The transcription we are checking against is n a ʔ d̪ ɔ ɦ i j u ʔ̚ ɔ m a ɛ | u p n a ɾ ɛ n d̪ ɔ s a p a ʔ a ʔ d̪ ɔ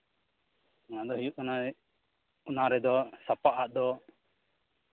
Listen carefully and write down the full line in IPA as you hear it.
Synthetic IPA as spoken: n a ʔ d̪ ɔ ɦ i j u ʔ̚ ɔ n a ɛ | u n a ɾ ɛ d̪ ɔ s a p a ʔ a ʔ d̪ ɔ